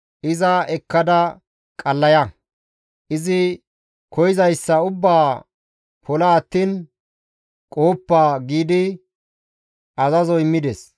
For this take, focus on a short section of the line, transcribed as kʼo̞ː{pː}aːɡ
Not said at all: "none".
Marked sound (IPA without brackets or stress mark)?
pː